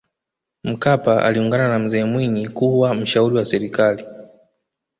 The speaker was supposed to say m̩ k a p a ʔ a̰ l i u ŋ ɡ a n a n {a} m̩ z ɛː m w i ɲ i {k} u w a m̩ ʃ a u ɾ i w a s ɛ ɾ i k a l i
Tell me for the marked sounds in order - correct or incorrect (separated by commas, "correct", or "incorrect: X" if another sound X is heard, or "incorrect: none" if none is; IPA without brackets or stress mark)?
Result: correct, correct